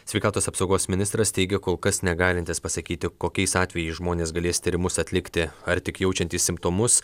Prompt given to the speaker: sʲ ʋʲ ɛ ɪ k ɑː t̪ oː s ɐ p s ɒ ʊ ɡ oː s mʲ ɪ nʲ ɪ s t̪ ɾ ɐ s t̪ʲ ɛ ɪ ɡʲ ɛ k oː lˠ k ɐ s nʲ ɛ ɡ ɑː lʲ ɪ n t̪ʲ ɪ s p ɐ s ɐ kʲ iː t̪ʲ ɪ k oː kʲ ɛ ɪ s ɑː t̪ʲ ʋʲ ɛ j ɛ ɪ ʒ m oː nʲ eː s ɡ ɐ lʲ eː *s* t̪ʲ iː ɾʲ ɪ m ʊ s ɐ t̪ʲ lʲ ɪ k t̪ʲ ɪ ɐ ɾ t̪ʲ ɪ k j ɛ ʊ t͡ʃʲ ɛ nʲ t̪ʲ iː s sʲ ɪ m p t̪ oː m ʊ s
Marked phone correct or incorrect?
correct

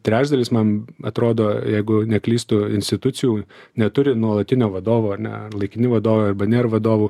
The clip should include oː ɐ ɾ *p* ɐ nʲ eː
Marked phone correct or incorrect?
incorrect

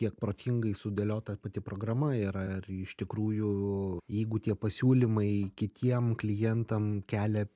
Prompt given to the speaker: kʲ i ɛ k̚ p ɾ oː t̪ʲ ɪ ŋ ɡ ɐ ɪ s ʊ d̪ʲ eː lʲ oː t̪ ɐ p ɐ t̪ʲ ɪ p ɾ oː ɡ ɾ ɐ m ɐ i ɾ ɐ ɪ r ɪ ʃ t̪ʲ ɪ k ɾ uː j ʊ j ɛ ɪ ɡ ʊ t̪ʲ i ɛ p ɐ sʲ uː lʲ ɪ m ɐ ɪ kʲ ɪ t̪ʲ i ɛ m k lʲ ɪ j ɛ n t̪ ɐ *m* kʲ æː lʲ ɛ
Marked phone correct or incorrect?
correct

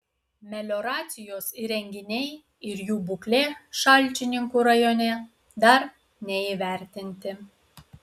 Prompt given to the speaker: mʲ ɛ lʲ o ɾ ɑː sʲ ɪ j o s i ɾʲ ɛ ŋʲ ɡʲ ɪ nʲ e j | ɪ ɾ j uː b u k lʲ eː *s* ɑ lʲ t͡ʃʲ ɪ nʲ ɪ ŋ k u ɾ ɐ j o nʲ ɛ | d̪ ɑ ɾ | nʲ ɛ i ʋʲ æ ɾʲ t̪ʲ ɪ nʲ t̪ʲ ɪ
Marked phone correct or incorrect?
incorrect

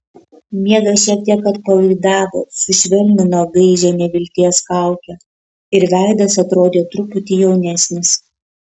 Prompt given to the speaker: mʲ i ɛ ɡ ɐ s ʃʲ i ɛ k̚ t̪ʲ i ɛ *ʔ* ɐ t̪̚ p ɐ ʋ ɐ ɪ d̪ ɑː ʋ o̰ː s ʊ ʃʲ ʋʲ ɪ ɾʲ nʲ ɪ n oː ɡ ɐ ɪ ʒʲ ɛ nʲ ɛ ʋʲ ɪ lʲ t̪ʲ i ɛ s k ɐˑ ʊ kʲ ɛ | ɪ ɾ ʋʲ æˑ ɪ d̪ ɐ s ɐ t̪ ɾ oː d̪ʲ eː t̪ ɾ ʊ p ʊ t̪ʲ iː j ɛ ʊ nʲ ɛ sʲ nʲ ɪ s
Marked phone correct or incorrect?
incorrect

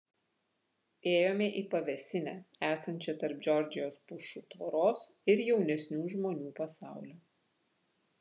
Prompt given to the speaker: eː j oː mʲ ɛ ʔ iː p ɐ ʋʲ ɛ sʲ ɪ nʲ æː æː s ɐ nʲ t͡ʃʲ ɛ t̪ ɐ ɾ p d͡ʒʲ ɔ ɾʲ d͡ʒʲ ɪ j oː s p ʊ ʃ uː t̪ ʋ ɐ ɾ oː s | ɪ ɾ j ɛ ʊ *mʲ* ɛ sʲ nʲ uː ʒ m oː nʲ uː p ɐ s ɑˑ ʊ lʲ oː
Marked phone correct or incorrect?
incorrect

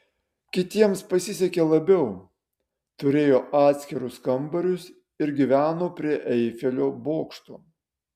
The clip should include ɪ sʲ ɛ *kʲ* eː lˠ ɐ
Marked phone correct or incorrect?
correct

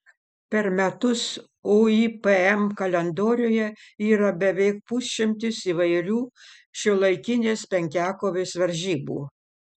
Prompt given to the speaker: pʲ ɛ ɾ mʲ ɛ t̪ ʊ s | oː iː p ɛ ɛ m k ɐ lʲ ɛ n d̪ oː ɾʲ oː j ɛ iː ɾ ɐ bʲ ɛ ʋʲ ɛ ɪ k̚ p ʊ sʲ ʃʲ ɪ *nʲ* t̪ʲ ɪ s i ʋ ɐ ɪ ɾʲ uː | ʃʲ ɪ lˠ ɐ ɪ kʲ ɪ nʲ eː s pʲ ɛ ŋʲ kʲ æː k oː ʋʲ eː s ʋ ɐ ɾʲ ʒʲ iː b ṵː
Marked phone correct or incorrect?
incorrect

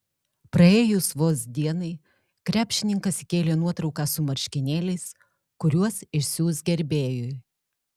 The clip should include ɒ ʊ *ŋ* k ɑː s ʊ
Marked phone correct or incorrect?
incorrect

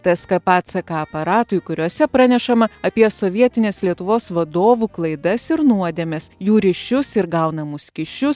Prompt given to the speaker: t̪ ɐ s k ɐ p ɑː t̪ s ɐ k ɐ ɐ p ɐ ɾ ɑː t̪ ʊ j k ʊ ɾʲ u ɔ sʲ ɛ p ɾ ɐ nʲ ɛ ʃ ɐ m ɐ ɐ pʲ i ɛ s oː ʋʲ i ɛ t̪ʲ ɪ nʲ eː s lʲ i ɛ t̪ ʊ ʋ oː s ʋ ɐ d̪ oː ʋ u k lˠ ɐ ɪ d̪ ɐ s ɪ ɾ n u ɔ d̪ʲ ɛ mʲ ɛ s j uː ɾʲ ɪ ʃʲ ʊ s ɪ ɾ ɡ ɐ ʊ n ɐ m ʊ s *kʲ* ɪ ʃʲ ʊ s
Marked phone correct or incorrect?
correct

